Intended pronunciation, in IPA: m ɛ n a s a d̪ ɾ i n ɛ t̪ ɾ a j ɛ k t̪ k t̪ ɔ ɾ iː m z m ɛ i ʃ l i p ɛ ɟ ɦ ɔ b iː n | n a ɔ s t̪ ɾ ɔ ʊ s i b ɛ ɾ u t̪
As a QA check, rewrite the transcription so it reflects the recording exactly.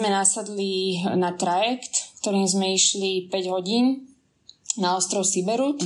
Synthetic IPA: m ɛ n a s a d̪ l i n a t̪ ɾ a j ɛ k t̪ k t̪ ɔ ɾ iː m z m ɛ i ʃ l i p ɛ ɟ ɦ ɔ ɟ iː n | n a ɔ s t̪ ɾ ɔ ʊ s i b ɛ ɾ u t̪